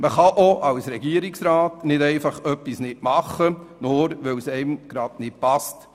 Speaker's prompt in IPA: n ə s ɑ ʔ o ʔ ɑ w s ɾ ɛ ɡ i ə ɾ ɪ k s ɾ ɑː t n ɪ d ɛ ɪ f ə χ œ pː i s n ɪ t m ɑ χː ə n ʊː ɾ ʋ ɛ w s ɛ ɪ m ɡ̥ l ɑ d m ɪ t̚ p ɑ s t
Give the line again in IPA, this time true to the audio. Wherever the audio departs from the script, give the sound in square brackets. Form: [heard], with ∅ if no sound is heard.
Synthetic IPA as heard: [m] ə [χ] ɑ ʔ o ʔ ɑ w s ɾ ɛ ɡ i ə ɾ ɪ k s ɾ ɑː t n ɪ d ɛ ɪ f [ɑ] χ œ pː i s n ɪ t m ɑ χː ə n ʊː ɾ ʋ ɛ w s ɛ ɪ m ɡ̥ [ɾ] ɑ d [n] ɪ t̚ p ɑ s t